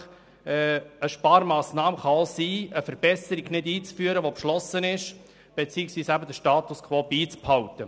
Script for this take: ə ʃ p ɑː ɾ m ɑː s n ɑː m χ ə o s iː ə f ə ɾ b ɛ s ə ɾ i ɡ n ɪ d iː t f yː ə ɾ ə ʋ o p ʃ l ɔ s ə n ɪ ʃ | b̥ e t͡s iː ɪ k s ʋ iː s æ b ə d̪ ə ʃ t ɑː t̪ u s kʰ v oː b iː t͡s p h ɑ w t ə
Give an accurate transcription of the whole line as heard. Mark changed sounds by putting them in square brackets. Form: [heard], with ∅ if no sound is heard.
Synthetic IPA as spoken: ə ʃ p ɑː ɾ m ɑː s n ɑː m χ [ɑ] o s iː ə f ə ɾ b ɛ s ə ɾ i ɡ n ɪ d iː [t͡s] f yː ə ɾ ə ʋ o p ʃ l ɔ s ə n ɪ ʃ | b̥ e t͡s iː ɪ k s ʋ iː s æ b ə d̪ ə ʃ t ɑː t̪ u s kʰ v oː b iː t͡s p h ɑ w t ə